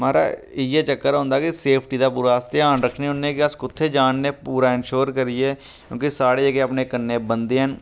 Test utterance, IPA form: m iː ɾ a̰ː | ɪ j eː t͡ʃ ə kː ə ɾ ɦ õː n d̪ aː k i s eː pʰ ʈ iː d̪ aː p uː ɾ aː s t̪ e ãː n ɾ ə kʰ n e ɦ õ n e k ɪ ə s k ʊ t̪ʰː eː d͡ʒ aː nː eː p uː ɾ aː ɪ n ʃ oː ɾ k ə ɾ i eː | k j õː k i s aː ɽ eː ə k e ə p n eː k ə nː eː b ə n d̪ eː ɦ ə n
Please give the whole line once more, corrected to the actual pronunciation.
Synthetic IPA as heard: m aː ɾ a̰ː | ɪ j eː t͡ʃ ə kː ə ɾ ɦ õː n d̪ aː k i s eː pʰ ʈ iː d̪ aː p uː ɾ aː s t̪ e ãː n ɾ ə kʰ n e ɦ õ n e k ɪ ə s k ʊ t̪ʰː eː d͡ʒ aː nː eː p uː ɾ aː ɪ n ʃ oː ɾ k ə ɾ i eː | k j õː k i s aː ɽ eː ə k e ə p n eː k ə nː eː b ə n d̪ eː ɦ ə n